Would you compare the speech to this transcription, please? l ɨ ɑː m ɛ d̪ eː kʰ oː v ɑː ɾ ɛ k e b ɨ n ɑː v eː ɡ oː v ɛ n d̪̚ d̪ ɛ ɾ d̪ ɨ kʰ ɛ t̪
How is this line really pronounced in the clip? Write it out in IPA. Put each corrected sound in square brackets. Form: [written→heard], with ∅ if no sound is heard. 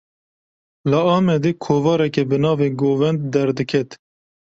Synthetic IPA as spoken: l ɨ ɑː m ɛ d̪ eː kʰ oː v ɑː ɾ ɛ k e b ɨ n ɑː v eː ɡ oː v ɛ n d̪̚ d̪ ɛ ɾ d̪ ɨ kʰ ɛ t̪